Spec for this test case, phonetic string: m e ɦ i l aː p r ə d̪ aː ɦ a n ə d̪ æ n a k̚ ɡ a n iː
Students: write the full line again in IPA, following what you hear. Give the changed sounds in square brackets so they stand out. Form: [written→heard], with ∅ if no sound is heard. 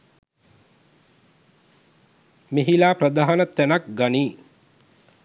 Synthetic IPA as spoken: m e ɦ i l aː p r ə d̪ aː ɦ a n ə [d̪→t̪] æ n a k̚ ɡ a n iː